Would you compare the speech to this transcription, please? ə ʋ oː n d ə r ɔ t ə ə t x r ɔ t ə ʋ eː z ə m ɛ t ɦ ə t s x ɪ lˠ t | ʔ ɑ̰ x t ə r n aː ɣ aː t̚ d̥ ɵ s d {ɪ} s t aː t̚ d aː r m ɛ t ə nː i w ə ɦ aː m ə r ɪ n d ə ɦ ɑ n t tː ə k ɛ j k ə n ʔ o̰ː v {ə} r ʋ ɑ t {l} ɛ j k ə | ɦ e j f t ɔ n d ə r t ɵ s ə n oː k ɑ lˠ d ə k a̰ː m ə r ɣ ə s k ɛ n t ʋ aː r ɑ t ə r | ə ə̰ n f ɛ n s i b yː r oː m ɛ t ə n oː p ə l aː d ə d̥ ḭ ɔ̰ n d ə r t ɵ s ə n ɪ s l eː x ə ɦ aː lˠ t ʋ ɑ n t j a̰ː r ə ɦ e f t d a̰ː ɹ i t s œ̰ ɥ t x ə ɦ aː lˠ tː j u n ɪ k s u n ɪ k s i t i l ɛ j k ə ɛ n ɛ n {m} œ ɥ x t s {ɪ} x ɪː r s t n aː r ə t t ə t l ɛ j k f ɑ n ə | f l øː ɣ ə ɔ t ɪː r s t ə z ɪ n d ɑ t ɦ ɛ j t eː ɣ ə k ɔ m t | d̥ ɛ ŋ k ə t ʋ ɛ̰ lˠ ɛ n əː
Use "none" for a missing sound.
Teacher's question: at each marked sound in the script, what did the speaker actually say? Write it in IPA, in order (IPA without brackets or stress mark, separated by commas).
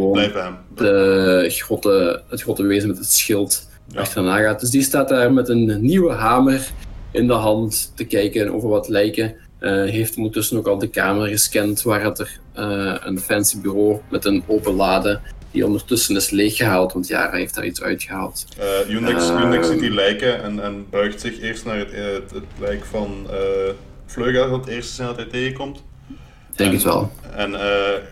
i, ə, l, b, ɪ